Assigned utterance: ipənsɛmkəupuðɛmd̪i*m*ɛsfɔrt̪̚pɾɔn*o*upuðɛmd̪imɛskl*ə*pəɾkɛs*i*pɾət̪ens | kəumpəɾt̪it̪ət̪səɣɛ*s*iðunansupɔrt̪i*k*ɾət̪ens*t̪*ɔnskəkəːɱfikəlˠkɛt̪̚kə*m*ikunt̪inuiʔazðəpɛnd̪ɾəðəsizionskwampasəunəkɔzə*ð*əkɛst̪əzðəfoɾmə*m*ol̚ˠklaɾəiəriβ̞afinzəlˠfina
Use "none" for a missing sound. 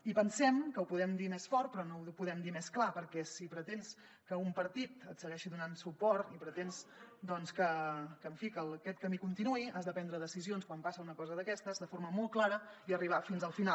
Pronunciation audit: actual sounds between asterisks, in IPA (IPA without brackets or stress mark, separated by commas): m, o, a, i, ʃ, p, d̪, m, ð, m